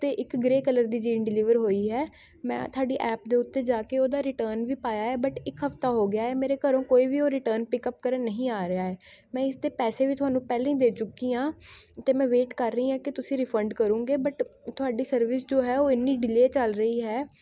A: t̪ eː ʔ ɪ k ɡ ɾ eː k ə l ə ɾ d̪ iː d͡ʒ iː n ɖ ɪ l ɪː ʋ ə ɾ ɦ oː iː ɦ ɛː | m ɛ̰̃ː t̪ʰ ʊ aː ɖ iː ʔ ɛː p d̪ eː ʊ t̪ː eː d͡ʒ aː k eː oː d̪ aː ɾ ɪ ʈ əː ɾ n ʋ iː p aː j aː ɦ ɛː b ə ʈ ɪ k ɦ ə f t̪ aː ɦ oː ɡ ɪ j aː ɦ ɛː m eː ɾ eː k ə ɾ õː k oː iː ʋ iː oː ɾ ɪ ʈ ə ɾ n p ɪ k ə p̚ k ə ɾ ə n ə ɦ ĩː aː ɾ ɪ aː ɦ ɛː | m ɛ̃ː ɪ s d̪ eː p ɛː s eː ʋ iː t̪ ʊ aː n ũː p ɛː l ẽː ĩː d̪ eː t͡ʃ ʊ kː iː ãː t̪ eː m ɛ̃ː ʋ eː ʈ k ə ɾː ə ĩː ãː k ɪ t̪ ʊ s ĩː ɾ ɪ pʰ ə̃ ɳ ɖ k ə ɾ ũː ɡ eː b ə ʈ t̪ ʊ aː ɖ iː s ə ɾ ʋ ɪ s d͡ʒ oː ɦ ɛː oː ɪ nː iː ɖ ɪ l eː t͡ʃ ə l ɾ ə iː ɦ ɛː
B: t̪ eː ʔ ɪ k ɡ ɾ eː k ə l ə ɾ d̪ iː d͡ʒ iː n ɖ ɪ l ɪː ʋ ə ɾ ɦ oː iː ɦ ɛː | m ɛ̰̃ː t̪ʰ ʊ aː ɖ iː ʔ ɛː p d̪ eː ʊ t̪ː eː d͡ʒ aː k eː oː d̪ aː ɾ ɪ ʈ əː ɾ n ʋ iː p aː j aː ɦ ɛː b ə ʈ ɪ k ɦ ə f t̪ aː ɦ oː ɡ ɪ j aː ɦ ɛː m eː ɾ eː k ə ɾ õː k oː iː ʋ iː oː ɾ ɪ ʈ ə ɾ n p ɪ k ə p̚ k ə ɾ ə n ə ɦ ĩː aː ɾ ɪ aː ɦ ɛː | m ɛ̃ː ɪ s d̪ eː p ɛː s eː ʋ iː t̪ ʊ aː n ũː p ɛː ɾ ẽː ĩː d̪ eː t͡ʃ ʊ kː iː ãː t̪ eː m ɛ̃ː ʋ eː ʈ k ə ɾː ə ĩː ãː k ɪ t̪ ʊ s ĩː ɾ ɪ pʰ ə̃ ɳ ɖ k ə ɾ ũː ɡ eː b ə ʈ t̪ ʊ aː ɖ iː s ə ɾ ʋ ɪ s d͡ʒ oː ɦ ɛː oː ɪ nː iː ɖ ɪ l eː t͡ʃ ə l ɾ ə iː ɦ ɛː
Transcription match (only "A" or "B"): A